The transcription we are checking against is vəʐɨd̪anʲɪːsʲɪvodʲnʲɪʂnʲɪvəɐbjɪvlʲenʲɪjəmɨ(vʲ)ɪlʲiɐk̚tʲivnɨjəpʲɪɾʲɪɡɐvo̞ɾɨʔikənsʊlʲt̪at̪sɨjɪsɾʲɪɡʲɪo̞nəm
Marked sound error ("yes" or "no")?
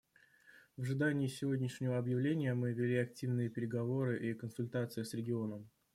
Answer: no